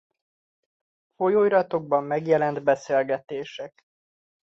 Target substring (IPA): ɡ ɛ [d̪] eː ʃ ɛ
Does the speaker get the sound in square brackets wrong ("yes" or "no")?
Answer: yes